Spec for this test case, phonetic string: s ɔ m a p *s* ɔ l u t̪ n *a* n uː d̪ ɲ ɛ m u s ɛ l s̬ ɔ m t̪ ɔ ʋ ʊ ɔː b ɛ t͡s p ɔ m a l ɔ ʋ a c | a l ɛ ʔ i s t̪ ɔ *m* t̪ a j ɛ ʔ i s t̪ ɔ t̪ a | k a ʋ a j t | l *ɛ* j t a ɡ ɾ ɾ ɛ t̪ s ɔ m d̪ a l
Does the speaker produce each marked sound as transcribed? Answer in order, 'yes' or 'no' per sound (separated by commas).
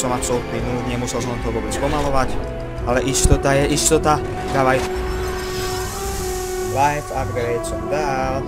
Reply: yes, no, no, no